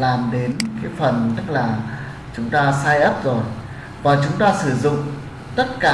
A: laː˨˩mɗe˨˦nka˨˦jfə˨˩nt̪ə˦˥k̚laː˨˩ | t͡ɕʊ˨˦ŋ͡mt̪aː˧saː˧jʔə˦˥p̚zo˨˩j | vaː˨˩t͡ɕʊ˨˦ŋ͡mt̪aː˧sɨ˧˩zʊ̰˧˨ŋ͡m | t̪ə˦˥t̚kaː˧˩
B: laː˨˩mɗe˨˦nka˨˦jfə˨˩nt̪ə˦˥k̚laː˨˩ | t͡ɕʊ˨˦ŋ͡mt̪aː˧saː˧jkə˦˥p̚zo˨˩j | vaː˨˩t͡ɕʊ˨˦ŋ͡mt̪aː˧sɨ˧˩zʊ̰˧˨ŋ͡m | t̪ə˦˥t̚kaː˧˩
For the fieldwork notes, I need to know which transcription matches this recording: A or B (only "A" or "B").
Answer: A